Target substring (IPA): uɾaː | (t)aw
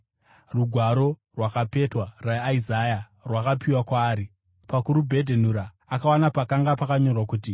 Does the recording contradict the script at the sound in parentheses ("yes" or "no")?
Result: yes